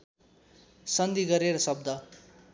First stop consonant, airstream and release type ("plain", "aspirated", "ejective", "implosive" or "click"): plain